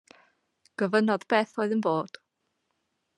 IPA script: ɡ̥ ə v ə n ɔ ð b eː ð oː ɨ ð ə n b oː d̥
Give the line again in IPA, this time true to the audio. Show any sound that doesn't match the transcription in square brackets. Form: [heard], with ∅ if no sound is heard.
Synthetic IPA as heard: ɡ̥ ə v ə n ɔ ð b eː [θ] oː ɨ ð ə n b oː d̥